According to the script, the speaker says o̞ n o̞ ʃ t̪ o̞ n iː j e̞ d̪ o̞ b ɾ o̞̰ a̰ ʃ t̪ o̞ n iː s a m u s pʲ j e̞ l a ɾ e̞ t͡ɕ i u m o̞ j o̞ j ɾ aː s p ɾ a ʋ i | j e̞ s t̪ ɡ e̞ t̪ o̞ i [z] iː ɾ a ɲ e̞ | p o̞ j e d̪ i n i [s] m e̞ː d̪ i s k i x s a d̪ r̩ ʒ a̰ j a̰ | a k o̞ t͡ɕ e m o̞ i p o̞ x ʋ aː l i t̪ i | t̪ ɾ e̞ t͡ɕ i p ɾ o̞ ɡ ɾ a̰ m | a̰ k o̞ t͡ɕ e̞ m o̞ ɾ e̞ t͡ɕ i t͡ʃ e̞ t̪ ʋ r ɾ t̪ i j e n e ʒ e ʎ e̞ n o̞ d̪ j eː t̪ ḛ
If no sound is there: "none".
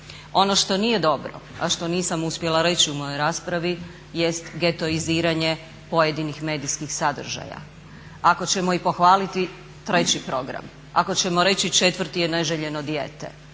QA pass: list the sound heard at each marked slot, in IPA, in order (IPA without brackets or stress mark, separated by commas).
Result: z, x